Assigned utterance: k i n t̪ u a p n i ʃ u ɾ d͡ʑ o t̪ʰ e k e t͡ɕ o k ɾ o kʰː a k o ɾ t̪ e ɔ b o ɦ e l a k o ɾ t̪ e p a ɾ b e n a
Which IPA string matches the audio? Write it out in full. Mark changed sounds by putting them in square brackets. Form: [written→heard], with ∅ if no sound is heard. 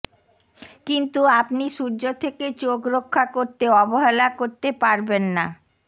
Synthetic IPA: k i n t̪ u a p n i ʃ u ɾ d͡ʑ o t̪ʰ e k e t͡ɕ o k ɾ o kʰː a k o ɾ t̪ e ɔ b o ɦ e l a k o ɾ t̪ e p a ɾ b e [n→nː] a